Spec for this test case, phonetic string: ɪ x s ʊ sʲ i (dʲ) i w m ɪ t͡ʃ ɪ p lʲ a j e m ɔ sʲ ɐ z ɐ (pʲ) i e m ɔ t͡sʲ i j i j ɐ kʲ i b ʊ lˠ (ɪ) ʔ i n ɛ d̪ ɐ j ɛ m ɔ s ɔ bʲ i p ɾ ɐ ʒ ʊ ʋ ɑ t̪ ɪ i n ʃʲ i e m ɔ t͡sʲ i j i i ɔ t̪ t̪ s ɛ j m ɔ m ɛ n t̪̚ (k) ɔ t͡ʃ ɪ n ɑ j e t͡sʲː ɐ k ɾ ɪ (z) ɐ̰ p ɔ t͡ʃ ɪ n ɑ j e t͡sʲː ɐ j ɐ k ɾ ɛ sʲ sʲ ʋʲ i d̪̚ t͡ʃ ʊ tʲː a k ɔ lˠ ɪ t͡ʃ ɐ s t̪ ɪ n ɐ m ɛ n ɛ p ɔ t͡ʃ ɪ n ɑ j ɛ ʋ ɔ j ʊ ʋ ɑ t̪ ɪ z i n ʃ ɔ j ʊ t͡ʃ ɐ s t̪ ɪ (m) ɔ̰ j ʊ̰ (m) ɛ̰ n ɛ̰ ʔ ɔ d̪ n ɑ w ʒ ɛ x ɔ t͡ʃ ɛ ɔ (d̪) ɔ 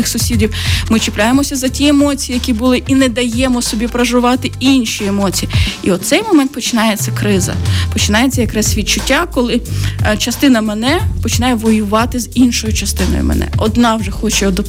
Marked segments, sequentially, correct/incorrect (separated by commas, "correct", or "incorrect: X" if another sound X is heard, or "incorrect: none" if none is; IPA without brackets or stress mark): correct, incorrect: tʲ, correct, incorrect: p, correct, incorrect: n, correct, correct